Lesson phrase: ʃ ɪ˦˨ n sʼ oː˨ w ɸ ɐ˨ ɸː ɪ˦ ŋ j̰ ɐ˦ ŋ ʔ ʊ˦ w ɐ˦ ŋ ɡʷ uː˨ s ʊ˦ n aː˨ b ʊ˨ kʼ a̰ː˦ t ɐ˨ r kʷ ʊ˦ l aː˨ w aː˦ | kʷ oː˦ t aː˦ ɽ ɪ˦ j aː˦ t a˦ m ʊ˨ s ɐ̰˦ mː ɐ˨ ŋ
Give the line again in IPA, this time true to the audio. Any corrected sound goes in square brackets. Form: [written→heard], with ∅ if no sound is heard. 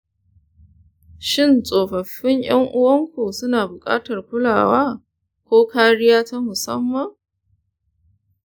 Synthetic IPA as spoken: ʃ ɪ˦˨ n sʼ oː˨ [w→∅] ɸ ɐ˨ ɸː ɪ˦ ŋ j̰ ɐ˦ ŋ ʔ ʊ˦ w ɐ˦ ŋ [ɡʷ→kʷ] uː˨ s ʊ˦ n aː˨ b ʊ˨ kʼ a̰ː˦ t ɐ˨ r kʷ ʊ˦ l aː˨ w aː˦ | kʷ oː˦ [t→k] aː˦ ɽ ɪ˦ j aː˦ t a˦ m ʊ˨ s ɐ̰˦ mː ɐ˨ ŋ